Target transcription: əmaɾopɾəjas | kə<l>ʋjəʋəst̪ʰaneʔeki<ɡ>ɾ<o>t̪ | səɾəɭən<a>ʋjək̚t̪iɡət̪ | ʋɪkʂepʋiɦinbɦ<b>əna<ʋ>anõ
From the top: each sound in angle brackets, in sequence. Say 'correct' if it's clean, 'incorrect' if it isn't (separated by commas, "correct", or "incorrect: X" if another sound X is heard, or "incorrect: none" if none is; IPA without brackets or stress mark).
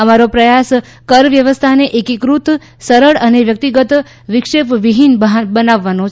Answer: incorrect: ɾ, incorrect: k, incorrect: u, incorrect: e, correct, incorrect: ʋː